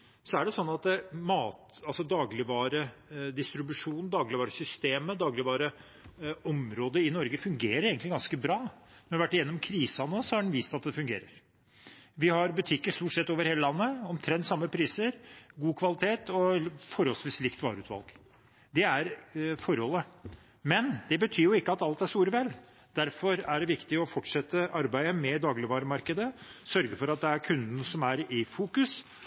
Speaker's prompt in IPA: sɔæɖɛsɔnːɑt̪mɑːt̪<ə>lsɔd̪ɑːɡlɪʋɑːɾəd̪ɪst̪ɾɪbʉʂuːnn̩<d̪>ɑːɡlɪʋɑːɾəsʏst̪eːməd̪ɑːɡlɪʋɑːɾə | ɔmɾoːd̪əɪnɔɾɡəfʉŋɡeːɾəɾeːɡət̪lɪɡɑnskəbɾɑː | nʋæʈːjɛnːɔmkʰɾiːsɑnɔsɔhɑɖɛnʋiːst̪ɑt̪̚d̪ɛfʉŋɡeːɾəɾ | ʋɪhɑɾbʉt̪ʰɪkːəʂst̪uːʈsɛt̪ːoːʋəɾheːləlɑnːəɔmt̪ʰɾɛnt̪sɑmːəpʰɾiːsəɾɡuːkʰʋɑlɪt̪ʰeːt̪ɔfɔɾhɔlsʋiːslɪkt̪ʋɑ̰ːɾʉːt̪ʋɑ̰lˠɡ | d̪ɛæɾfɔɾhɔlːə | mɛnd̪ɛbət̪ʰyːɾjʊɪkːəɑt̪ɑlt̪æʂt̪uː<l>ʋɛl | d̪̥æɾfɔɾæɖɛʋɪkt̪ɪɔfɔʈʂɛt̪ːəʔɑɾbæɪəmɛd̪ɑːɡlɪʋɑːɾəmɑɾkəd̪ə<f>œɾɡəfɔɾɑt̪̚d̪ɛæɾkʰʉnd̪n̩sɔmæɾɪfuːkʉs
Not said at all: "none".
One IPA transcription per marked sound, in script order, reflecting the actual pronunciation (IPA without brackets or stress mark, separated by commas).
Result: ɑ, d̪, ɾ, s